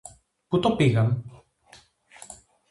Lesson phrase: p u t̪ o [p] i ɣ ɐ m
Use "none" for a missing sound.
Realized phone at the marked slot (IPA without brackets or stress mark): p